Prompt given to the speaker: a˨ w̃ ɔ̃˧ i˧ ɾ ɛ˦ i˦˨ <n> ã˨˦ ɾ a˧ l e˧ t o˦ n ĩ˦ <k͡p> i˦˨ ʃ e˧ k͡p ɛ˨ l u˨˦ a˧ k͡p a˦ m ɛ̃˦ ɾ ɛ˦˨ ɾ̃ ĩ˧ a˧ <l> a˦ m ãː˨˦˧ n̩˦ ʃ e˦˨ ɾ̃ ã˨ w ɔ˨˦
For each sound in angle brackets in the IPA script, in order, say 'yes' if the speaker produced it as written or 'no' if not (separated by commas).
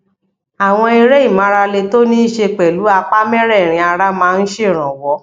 no, no, no